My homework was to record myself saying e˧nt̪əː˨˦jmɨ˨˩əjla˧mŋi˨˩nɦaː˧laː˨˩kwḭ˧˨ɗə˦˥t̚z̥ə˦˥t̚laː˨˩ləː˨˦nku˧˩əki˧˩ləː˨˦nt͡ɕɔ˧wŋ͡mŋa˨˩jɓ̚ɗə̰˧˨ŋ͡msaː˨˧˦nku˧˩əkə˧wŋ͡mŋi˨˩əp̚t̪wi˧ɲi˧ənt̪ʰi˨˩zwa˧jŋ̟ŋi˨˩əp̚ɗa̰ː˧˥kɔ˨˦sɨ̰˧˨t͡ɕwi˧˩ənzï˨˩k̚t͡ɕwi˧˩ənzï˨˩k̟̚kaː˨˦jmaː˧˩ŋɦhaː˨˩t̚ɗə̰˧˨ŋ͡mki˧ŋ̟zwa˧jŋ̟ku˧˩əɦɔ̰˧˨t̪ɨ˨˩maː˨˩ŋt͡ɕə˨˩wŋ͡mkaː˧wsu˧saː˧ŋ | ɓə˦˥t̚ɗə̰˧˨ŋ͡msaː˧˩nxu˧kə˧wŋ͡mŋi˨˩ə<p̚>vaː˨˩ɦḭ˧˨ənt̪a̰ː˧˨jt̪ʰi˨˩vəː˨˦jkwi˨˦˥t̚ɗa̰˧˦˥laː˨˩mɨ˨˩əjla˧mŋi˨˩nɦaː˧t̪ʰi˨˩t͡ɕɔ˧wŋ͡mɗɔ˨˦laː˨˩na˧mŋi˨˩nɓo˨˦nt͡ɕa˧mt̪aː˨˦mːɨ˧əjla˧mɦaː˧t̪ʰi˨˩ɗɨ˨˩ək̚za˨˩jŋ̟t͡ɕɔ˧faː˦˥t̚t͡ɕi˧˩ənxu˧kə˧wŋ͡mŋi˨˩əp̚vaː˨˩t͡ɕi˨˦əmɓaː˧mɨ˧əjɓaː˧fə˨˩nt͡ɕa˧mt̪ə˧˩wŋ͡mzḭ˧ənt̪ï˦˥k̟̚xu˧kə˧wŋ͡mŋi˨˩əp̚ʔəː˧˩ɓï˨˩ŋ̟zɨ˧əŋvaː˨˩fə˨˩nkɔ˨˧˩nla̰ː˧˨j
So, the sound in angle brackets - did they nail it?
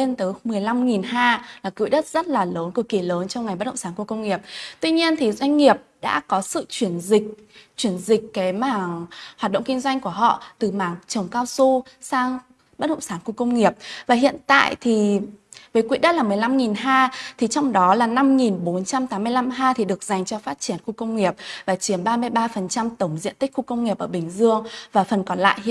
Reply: yes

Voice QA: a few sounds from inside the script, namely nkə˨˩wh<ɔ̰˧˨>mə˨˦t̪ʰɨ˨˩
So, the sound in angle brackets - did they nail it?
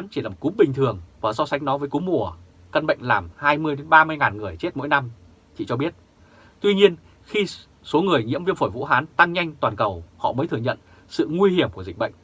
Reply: yes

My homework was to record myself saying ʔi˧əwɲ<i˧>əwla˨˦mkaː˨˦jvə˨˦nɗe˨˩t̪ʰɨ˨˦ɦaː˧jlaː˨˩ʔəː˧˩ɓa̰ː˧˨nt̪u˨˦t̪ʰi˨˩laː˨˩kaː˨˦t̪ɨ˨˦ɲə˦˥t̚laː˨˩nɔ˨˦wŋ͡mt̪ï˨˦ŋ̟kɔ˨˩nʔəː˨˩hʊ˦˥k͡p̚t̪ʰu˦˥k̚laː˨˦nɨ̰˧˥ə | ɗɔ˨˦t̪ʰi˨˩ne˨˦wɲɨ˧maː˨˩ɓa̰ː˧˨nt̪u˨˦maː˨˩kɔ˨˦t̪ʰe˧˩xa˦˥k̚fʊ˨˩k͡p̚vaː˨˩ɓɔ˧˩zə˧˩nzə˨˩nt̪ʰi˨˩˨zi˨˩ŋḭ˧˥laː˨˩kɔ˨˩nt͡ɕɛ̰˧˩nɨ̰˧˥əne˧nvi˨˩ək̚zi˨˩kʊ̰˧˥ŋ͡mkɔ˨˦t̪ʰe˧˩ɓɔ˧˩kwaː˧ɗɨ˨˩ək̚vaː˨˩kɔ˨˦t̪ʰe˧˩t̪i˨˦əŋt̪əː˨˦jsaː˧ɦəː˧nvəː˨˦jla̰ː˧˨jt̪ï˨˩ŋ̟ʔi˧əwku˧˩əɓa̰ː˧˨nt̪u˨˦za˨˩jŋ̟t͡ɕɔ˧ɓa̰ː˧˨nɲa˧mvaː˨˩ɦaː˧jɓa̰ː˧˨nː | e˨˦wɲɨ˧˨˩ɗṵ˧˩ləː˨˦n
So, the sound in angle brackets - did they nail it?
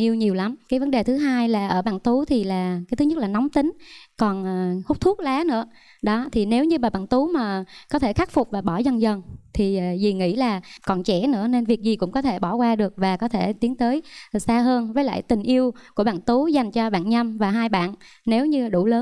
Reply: no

